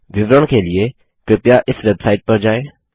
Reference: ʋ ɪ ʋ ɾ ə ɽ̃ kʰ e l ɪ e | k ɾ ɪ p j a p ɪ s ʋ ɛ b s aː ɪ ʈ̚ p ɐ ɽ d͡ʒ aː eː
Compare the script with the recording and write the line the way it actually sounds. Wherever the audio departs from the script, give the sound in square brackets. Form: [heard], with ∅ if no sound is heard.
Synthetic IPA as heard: ʋ ɪ ʋ ɾ ə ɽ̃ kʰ e l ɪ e | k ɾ ɪ p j a [ʔ] ɪ s ʋ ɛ b s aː ɪ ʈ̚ p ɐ [ɾ] d͡ʒ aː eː